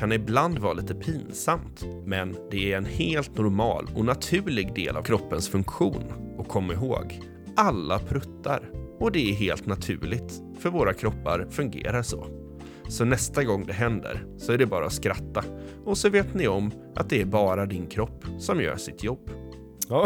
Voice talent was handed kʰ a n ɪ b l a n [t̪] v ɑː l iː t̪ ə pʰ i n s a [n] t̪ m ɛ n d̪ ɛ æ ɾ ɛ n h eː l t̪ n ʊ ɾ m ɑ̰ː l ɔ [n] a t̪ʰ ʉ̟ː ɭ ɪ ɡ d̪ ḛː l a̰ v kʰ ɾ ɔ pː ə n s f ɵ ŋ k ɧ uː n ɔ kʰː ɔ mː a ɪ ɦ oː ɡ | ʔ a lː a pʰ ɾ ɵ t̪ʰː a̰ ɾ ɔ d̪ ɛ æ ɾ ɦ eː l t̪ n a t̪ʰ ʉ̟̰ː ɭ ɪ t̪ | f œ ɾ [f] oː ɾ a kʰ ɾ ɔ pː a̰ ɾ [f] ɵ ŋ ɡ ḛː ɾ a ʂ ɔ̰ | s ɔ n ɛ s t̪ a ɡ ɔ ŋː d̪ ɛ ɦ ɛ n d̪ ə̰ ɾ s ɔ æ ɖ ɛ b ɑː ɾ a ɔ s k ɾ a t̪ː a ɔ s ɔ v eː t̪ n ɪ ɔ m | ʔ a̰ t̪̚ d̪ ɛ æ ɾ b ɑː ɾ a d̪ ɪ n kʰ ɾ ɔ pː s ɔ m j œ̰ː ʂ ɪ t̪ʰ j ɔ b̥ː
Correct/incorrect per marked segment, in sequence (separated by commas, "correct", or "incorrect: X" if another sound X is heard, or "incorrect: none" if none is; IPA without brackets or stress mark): incorrect: d̪, incorrect: m, correct, incorrect: v, correct